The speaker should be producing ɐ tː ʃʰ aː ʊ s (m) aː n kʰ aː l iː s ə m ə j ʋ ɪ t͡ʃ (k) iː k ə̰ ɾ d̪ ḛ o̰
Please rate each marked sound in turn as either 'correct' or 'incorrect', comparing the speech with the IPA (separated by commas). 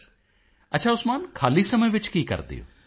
correct, correct